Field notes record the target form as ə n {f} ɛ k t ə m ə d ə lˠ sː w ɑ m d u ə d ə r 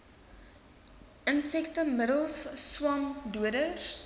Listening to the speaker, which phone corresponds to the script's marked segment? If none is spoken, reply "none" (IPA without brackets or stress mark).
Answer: s